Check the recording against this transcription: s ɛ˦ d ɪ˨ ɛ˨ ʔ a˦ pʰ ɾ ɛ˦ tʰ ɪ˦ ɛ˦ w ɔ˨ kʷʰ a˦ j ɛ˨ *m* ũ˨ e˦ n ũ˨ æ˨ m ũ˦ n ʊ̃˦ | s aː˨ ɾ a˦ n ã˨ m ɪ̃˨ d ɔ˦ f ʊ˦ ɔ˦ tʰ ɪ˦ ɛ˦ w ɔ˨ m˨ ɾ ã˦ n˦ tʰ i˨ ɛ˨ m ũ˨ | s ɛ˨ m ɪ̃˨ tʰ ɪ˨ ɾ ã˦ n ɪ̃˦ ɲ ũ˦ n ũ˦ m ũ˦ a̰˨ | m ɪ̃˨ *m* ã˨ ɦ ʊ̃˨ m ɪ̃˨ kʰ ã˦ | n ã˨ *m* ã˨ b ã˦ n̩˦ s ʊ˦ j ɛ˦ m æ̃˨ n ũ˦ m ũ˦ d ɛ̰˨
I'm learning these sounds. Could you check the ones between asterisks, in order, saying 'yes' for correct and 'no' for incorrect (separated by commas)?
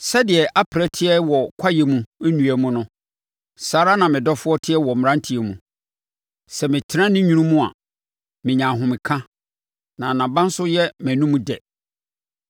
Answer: yes, no, no